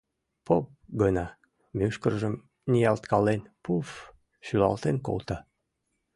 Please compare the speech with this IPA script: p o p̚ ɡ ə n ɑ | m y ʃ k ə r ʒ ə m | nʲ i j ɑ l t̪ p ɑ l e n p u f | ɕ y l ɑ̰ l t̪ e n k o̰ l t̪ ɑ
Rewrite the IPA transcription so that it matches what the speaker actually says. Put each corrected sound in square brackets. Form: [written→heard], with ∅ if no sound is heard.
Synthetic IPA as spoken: p o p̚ ɡ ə n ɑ | m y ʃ k ə r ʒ ə m | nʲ i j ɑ l t̪ [p→k] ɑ l e n p u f | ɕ y l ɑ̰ l t̪ e n k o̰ l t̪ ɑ